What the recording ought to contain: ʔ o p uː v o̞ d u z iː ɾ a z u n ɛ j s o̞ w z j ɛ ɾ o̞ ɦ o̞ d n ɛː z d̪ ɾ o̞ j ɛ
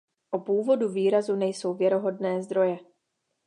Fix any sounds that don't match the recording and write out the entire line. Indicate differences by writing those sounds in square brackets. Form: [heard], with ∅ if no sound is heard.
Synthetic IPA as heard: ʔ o p uː v o̞ d u [v] iː ɾ a z u n ɛ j s o̞ w [v] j ɛ ɾ o̞ ɦ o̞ d n ɛː z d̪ ɾ o̞ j ɛ

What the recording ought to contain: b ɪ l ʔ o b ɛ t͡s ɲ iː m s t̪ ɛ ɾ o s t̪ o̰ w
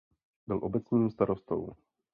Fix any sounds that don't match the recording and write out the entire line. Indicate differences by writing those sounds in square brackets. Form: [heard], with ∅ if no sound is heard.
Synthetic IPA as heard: b ɪ l ʔ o b ɛ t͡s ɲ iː m s t̪ [a] ɾ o s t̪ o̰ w

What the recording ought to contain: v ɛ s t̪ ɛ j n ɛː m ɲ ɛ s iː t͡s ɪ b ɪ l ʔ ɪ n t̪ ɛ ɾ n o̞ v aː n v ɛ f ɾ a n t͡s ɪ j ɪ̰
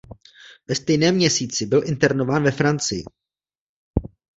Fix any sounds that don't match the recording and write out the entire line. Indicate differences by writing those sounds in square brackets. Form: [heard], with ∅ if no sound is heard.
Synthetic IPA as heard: v ɛ s t̪ ɛ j n ɛː m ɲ ɛ s iː t͡s ɪ b ɪ l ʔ ɪ n t̪ ɛ ɾ n o̞ v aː n v ɛ f ɾ a n t͡s ɪ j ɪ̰

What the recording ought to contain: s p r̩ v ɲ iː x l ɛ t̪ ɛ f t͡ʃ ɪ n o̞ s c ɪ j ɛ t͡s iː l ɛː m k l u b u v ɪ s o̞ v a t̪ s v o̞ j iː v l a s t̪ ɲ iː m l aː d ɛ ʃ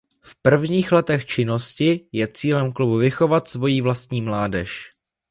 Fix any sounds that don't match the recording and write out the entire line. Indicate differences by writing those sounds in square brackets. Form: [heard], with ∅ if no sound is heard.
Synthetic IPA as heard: [f] p r̩ v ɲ iː x l ɛ t̪ ɛ [x] t͡ʃ ɪ n o̞ s c ɪ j ɛ t͡s iː l [ɛ] m k l u b u v ɪ [x] o̞ v a t̪ s v o̞ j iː v l a s t̪ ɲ iː m l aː d ɛ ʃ

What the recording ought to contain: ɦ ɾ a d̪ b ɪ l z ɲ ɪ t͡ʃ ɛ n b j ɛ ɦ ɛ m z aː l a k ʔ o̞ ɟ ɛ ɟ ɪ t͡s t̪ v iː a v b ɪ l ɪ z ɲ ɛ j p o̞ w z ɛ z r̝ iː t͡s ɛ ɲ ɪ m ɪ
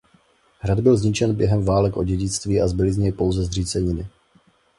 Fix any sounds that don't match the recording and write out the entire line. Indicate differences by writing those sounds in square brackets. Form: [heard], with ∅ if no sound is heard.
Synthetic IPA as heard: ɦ ɾ a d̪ b ɪ l z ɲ ɪ t͡ʃ ɛ n b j ɛ ɦ ɛ m [v] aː l [ɛ] k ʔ o̞ ɟ ɛ ɟ ɪ t͡s t̪ v iː a [z] b ɪ l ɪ z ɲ ɛ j p o̞ w z ɛ z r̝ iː t͡s ɛ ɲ ɪ [n] ɪ

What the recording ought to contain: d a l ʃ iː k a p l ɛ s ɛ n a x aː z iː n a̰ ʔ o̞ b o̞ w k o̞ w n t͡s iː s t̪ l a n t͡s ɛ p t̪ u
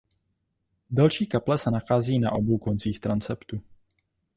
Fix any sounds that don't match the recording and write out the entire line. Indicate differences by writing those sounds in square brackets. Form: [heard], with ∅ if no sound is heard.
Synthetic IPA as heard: d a l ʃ iː k a p l ɛ s ɛ n a x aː z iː n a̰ ʔ o̞ b o̞ w k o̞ [∅] n t͡s iː [x] t̪ [ɾ] a n t͡s ɛ p t̪ u

